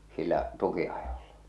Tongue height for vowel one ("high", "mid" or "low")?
high